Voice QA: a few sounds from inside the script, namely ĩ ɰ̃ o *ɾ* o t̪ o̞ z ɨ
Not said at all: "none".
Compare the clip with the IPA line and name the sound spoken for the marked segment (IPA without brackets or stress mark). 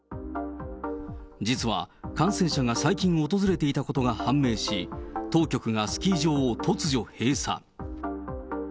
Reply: none